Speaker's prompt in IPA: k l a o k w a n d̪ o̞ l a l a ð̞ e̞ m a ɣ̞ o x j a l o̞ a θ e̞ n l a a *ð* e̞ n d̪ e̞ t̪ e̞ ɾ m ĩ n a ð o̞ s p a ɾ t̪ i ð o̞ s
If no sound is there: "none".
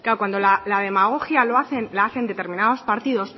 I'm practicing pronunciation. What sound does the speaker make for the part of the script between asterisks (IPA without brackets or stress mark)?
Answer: θ